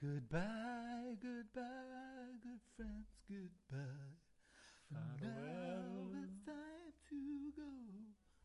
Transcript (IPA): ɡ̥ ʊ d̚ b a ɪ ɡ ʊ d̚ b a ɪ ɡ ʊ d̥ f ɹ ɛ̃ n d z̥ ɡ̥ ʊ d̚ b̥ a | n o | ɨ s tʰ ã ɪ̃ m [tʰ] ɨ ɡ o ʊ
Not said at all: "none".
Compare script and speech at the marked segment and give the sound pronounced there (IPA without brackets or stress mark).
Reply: tʰ